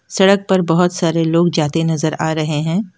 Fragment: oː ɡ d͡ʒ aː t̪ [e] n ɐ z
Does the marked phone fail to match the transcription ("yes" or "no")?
no